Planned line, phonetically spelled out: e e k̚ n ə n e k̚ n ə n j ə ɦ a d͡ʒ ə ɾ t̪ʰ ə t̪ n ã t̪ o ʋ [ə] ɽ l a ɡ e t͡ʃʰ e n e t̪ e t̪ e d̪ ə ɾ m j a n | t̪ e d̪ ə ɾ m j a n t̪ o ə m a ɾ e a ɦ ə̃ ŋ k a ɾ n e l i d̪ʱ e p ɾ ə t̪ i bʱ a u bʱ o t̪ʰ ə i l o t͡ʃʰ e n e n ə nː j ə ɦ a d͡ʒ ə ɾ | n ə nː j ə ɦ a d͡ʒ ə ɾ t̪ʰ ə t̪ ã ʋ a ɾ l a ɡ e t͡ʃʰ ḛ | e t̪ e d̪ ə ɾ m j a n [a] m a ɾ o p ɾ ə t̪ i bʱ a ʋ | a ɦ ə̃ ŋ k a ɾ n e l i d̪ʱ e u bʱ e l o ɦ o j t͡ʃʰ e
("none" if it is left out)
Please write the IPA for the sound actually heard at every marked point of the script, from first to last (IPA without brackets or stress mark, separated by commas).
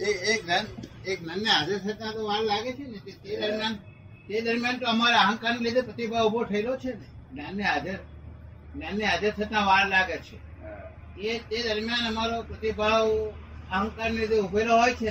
a, ə